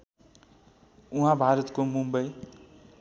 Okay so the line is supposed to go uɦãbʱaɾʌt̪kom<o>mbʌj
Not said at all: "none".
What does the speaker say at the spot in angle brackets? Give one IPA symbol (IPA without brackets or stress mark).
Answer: u